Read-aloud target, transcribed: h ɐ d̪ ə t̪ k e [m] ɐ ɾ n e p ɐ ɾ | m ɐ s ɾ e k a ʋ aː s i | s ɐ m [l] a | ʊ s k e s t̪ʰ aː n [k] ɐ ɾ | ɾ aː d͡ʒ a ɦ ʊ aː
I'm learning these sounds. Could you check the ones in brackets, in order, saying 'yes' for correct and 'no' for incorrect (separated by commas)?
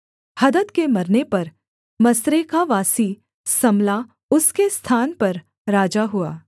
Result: yes, yes, no